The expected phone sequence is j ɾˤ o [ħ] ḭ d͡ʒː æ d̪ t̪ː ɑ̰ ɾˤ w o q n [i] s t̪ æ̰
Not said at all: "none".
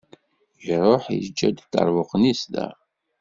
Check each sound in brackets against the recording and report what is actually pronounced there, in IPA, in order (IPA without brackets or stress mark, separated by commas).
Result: ħ, i